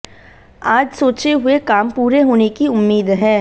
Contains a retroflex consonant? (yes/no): no